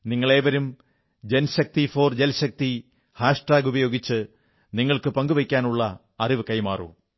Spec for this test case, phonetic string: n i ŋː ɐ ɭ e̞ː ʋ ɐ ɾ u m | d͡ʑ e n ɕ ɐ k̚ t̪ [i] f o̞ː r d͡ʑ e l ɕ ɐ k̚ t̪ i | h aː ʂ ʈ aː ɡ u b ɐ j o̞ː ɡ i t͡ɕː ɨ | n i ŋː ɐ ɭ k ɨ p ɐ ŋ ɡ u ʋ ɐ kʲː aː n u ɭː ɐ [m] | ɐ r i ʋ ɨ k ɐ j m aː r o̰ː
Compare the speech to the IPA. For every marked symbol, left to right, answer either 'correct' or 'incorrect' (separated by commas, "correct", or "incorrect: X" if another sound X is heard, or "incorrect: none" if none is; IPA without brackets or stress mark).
correct, incorrect: none